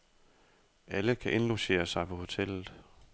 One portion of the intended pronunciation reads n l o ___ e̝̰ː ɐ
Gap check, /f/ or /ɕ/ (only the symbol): ɕ